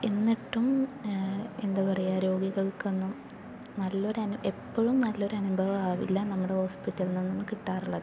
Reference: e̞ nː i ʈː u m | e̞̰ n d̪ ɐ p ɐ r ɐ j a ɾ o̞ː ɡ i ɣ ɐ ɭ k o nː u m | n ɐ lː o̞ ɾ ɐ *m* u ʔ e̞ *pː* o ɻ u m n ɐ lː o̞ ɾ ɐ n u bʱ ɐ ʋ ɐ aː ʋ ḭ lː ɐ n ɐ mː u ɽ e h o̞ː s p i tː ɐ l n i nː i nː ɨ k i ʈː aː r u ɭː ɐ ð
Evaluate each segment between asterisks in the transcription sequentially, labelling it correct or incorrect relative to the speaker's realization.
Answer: incorrect, correct

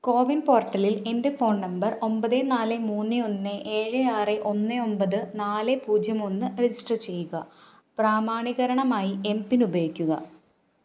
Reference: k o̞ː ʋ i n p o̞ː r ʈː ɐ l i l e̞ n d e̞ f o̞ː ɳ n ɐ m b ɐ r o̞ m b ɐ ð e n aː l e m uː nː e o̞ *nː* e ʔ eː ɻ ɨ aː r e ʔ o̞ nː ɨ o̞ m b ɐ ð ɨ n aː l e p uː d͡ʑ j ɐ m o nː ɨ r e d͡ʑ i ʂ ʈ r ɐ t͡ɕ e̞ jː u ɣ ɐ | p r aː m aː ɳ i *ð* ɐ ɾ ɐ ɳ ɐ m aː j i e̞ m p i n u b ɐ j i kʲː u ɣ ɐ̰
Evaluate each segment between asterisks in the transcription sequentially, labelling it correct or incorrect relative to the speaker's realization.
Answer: correct, incorrect

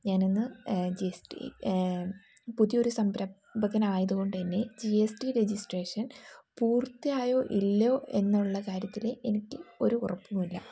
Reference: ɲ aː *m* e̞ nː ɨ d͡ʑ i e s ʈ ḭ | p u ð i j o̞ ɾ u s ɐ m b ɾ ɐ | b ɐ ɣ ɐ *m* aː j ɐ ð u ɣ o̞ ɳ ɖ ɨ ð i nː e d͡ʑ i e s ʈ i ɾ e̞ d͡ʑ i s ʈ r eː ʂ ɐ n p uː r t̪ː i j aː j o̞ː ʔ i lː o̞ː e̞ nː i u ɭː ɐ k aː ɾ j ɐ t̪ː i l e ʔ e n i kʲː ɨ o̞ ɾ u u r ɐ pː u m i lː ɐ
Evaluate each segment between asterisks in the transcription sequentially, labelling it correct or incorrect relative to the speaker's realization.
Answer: incorrect, incorrect

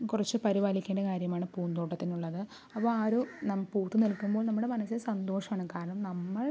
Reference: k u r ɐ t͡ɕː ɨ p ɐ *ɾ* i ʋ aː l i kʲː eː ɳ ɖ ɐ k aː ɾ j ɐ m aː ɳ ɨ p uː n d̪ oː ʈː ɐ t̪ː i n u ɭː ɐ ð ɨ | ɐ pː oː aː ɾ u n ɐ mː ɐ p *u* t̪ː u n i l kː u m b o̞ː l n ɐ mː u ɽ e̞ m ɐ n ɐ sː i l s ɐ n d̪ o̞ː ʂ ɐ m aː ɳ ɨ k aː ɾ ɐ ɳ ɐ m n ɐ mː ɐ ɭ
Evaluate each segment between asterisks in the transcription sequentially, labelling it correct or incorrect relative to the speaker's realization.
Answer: correct, incorrect

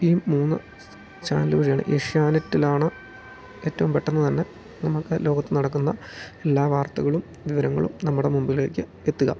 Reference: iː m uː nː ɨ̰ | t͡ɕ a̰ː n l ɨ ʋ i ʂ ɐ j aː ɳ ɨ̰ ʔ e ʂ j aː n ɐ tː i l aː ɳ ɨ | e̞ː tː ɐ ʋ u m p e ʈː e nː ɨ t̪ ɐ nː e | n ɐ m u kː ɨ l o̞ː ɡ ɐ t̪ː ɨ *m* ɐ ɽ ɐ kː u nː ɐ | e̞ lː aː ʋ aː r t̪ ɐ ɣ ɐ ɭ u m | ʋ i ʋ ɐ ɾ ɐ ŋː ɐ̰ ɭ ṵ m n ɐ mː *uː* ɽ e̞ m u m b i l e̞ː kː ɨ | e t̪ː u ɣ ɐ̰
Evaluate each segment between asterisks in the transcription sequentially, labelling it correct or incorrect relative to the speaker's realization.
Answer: incorrect, incorrect

